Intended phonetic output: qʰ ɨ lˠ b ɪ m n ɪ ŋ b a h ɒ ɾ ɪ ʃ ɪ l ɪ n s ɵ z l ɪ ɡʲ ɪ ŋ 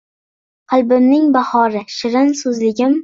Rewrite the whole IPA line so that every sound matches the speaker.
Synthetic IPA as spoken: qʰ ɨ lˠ b ɪ m n ɪ ŋ b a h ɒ ɾ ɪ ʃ ɪ ɾ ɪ n s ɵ z l ɪ ɡʲ ɪ m